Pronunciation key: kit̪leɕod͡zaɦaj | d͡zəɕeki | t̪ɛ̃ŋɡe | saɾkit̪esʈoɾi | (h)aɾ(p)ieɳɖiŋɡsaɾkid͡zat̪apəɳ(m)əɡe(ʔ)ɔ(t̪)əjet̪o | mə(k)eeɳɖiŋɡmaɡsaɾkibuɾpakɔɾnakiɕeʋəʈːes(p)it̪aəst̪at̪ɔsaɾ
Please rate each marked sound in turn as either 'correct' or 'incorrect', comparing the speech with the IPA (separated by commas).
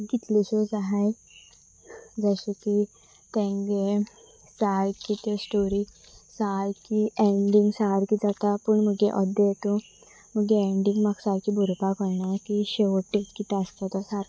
incorrect, incorrect, correct, correct, incorrect, incorrect, incorrect